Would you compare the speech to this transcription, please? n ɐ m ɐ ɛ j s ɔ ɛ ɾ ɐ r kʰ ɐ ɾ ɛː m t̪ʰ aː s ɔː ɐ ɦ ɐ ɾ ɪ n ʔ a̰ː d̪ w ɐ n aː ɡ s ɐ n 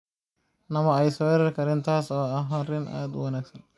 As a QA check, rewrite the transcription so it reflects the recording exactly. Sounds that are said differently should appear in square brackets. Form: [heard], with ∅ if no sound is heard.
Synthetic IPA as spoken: n ɐ m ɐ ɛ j s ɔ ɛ ɾ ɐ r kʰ ɐ ɾ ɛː [n] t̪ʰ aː s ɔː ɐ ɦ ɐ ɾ ɪ n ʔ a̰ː d̪ w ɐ n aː ɡ s ɐ n